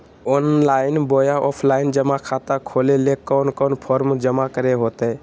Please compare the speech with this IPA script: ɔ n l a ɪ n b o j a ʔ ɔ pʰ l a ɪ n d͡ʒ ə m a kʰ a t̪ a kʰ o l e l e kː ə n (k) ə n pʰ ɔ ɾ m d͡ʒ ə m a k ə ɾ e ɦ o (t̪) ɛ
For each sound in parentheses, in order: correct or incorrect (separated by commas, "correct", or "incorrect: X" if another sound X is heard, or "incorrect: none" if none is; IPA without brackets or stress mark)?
correct, correct